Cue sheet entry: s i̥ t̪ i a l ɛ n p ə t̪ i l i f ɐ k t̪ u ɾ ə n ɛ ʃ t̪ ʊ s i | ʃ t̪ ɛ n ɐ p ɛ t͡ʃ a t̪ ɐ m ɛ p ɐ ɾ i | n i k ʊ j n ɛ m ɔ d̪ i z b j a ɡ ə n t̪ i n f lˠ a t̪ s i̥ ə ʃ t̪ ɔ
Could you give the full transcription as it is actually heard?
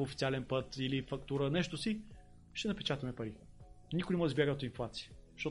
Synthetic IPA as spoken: f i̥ t̪ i a l ɛ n p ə t̪ i l i f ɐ k t̪ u ɾ ə n ɛ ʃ t̪ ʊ s i | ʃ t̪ ɛ n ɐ p ɛ t͡ʃ a t̪ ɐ m ɛ p ɐ ɾ i | n i k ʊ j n ɛ m ɔ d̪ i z b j a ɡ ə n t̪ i n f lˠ a t̪ s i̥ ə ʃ t̪ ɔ